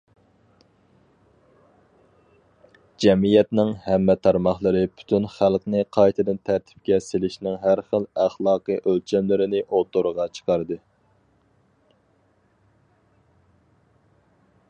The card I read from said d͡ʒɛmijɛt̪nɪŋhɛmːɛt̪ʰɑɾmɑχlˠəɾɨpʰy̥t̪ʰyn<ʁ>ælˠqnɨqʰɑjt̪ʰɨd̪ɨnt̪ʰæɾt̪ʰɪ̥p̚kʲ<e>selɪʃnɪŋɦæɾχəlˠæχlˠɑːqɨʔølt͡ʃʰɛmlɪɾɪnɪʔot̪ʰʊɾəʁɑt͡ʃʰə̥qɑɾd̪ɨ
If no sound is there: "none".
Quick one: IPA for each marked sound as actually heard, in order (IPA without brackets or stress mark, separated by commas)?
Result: χ, ɛ